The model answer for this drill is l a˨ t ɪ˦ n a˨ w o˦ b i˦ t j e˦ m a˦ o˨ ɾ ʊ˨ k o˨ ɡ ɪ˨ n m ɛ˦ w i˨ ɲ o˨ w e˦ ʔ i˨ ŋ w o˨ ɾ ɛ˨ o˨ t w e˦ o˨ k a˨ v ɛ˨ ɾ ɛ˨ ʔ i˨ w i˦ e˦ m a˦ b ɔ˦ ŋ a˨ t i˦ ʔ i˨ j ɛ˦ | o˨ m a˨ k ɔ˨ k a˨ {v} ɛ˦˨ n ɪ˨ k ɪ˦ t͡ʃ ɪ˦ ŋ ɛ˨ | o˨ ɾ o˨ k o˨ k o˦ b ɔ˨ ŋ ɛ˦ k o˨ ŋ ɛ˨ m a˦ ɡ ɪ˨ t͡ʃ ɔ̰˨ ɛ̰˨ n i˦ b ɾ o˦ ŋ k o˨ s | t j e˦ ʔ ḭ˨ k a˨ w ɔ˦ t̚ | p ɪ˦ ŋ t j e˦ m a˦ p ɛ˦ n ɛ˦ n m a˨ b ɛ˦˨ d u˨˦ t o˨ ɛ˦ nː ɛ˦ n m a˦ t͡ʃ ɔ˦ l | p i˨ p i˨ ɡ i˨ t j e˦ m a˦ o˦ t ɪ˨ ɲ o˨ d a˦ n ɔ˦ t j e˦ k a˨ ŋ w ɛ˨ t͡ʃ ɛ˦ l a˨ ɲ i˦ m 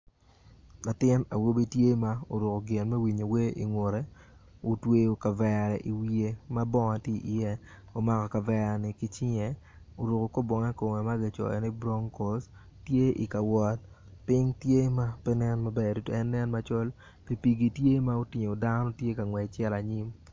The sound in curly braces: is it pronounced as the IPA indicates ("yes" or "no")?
yes